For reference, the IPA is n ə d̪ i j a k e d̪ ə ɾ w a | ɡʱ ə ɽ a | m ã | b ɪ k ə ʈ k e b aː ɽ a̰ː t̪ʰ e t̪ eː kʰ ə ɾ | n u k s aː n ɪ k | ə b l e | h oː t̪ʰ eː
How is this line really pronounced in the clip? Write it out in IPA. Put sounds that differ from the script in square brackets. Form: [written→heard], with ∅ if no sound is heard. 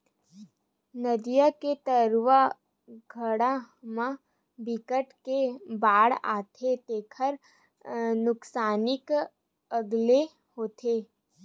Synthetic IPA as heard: n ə d̪ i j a k e [d̪→t̪] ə ɾ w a | ɡʱ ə ɽ a | m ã | b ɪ k ə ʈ k e b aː ɽ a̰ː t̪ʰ e t̪ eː kʰ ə ɾ | n [u→ʊ] k s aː n ɪ k | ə [b→ɡ] l e | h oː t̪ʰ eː